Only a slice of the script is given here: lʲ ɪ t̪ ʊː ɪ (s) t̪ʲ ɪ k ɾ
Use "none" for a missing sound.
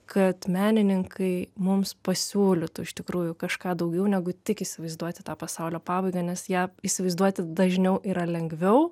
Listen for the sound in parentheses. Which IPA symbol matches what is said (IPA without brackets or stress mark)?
ʃ